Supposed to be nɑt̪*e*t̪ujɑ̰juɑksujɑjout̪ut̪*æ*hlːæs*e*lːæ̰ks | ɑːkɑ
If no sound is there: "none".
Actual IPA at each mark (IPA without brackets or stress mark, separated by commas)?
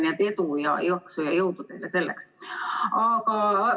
e, e, e